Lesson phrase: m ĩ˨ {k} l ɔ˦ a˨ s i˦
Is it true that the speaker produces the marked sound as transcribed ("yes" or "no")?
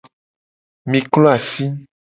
yes